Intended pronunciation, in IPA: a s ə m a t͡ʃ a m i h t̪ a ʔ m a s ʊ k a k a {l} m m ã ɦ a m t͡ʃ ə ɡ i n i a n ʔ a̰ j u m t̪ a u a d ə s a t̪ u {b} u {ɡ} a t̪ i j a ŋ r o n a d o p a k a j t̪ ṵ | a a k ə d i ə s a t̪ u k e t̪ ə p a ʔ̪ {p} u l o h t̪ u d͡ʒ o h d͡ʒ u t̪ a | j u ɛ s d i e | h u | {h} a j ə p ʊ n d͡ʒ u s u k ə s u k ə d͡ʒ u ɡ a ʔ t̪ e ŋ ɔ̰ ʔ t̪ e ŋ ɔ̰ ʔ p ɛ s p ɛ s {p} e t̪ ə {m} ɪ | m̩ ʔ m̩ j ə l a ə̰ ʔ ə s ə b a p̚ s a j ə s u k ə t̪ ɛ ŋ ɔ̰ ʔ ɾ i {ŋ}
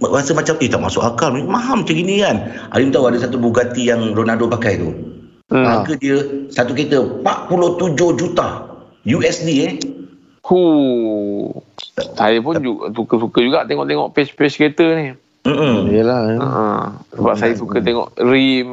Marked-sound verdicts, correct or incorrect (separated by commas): correct, correct, correct, correct, incorrect, incorrect, incorrect, incorrect